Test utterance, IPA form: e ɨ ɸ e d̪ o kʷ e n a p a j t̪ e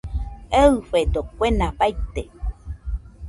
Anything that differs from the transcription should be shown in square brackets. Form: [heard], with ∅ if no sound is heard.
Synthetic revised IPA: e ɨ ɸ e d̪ o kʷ e n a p a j t̪ e